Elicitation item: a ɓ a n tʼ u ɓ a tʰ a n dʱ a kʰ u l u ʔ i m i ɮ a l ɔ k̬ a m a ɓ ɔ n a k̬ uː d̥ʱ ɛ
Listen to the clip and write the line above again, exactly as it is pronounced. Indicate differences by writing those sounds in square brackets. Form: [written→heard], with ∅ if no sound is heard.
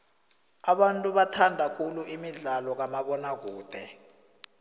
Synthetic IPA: a ɓ a n tʼ u ɓ a tʰ a n dʱ a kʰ u l u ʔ i m i ɮ a l ɔ k̬ a m a ɓ ɔ n a k̬ uː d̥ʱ ɛ